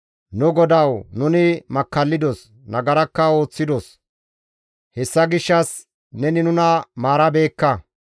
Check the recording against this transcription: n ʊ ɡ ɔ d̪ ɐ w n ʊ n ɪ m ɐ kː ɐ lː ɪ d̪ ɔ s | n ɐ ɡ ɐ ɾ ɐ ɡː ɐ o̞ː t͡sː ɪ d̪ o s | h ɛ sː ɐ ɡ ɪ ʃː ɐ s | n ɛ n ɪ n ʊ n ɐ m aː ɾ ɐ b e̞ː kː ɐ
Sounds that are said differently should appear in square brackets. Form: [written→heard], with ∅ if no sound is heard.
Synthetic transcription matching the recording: n ʊ ɡ ɔ d̪ ɐ w n ʊ n ɪ m ɐ kː ɐ lː ɪ d̪ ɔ s | n ɐ ɡ ɐ ɾ ɐ [ɡː→kː] ɐ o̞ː t͡sː ɪ d̪ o s | h ɛ sː ɐ ɡ ɪ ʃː ɐ s | n ɛ n ɪ n ʊ n ɐ m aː ɾ ɐ b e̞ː kː ɐ